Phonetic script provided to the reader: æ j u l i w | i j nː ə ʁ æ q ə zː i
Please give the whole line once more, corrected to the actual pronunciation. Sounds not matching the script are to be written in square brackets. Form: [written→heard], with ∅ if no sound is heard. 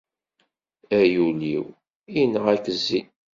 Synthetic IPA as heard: æ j u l i w | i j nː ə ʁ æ [q→k] ə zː i